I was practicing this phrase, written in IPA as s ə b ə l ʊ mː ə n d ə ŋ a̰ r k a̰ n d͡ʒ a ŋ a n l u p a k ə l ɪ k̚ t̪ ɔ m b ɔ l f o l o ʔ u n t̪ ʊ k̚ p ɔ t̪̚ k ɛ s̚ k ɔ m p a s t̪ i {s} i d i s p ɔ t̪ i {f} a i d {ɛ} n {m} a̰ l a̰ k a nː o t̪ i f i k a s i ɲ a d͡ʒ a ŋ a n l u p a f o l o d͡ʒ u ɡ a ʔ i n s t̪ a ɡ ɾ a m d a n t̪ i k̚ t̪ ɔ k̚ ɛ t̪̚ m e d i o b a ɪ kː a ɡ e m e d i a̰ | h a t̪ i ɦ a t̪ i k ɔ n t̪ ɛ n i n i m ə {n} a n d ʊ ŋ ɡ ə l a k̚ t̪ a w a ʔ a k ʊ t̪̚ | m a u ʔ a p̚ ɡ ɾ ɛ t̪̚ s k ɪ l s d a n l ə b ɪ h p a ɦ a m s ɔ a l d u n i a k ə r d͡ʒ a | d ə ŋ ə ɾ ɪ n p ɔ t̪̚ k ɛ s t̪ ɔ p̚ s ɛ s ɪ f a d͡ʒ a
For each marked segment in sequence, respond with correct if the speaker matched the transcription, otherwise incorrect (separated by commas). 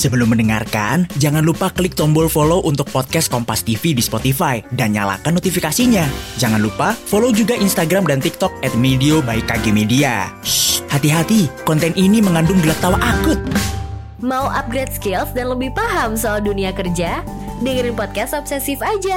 incorrect, correct, incorrect, incorrect, incorrect